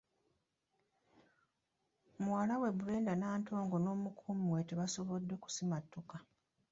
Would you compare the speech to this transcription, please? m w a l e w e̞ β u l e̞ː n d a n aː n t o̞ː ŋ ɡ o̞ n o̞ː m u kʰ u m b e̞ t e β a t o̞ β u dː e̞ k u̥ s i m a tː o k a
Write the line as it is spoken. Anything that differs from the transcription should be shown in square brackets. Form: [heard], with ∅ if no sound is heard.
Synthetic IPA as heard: m w a l [a] w e̞ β u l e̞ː n d a n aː n t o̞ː ŋ ɡ o̞ n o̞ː m u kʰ u m [w] e̞ t e β a [s] o̞ β [o] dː e̞ k u̥ s i m a tː o k a